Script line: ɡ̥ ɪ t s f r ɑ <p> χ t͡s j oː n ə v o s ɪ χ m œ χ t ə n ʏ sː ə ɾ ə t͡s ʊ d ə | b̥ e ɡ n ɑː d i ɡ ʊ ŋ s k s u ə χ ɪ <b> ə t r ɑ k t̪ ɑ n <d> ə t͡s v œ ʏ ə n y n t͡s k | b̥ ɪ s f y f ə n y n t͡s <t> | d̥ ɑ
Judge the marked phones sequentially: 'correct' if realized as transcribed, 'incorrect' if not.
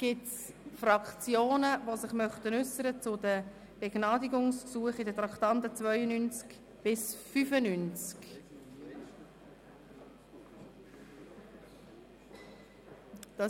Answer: incorrect: k, incorrect: d, incorrect: t, incorrect: k

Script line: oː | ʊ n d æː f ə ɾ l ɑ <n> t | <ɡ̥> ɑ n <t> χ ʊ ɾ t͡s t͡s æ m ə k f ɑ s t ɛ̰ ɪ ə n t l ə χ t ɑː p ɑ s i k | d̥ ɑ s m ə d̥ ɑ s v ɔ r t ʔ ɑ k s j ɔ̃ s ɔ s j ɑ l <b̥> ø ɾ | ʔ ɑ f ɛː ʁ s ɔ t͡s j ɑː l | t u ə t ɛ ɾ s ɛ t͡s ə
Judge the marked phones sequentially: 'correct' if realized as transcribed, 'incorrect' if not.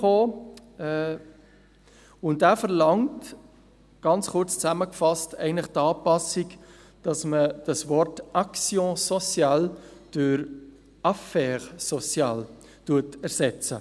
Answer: incorrect: ŋ, correct, incorrect: t͡s, incorrect: d̥

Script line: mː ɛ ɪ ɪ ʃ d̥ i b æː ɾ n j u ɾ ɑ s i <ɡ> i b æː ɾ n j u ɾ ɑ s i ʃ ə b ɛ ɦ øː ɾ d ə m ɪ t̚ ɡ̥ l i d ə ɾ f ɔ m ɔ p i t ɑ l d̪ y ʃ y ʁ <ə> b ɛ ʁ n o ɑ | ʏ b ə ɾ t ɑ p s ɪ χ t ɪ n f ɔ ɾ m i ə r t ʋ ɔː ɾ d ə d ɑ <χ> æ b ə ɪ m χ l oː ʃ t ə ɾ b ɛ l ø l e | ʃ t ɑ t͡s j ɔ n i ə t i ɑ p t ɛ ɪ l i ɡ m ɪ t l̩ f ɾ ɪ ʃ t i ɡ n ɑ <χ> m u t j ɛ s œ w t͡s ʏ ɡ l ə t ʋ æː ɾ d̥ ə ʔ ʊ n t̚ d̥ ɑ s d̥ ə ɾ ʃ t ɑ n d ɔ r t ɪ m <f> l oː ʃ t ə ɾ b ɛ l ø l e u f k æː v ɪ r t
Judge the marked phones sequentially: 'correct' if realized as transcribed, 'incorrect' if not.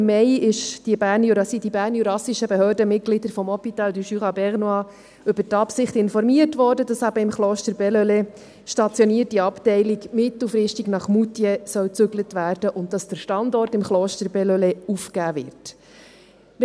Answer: incorrect: d, incorrect: ɑ, incorrect: s, correct, incorrect: χ

